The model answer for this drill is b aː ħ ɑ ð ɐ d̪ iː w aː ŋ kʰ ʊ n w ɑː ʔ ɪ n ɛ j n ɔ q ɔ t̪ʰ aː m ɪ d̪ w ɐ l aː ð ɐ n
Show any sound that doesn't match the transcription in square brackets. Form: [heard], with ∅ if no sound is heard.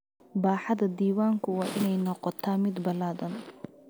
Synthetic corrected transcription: b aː ħ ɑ ð ɐ d̪ iː w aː ŋ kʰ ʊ [∅] w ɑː ʔ ɪ n ɛ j n ɔ q ɔ t̪ʰ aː m ɪ d̪ [b] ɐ l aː ð ɐ n